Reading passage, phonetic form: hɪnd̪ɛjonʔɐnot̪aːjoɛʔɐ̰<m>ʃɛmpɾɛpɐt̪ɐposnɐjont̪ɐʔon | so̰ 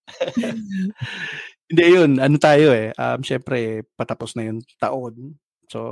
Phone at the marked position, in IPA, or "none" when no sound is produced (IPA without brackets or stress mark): m